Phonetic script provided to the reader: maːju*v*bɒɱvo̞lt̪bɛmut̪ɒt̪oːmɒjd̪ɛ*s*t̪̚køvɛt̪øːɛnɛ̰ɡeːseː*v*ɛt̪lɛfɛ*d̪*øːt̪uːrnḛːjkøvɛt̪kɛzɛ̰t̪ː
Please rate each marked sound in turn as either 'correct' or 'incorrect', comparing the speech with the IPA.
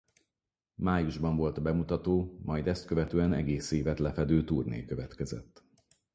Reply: incorrect: ʒ, correct, correct, correct

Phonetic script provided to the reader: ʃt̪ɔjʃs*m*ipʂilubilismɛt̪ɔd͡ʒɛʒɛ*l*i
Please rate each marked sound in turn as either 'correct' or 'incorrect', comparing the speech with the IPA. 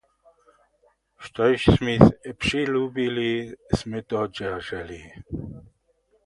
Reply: correct, correct

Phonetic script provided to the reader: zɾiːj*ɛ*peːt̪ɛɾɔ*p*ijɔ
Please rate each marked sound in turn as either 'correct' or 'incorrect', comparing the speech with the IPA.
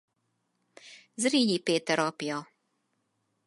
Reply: incorrect: i, correct

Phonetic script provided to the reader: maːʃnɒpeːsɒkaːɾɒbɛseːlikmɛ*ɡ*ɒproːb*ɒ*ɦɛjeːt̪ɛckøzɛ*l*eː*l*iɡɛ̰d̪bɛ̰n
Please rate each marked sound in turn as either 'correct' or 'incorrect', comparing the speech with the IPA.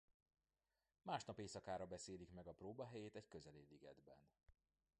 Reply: correct, correct, correct, correct

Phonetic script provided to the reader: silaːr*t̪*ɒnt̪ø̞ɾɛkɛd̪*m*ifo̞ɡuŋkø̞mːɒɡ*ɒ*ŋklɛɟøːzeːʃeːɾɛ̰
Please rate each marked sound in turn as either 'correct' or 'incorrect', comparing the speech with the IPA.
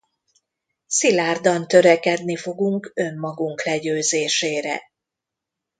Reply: incorrect: d̪, incorrect: n, incorrect: u

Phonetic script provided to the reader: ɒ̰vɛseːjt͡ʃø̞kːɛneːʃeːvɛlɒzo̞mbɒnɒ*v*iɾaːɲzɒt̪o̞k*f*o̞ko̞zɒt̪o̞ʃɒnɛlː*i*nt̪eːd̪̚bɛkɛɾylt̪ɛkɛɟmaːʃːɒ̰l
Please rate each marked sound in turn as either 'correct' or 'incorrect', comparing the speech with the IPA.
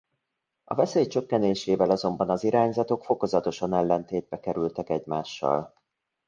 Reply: incorrect: z, correct, incorrect: ɛ

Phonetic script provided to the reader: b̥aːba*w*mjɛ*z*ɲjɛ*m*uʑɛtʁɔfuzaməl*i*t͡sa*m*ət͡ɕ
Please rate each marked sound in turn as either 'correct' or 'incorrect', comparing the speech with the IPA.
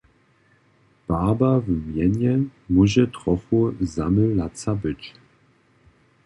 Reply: incorrect: v, incorrect: none, correct, incorrect: a, incorrect: b

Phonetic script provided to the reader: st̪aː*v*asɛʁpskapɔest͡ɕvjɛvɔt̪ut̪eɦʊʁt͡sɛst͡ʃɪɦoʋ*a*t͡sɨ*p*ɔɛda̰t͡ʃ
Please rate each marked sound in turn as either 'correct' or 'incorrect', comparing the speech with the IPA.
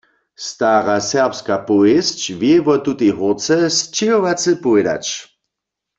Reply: incorrect: ʁ, correct, correct

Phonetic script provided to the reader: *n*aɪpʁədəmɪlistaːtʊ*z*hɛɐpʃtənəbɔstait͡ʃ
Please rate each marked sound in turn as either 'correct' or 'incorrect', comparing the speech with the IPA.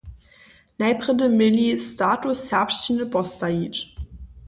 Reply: correct, incorrect: s

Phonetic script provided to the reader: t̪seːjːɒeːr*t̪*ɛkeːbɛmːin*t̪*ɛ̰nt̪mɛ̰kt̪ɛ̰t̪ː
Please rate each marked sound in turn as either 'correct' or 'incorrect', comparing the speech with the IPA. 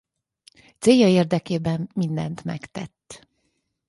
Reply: incorrect: d̪, incorrect: d̪

